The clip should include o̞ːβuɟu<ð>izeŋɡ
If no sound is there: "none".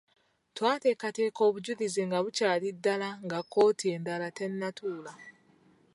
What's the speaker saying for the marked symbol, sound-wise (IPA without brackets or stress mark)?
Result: ð